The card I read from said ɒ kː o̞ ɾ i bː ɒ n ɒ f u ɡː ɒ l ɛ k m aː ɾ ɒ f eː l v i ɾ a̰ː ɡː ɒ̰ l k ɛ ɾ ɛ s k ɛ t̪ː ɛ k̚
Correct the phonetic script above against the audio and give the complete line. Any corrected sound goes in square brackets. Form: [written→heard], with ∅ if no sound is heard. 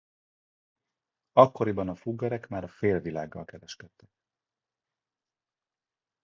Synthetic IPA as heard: ɒ kː o̞ ɾ i [bː→b] ɒ n ɒ f u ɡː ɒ [l→ɾ] ɛ k m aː ɾ ɒ f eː l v i [ɾ→l] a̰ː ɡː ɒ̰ l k ɛ ɾ ɛ [s→ʃ] k ɛ t̪ː ɛ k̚